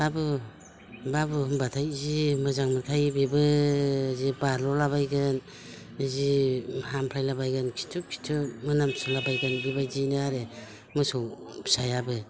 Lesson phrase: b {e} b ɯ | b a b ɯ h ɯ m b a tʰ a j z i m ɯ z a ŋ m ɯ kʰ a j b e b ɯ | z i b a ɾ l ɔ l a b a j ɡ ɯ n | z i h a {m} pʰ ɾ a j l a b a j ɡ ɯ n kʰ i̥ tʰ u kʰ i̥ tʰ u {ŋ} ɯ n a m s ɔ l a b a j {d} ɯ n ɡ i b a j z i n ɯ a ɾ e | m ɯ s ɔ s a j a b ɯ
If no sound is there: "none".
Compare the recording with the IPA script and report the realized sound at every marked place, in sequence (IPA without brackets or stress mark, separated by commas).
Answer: a, m, m, ɡ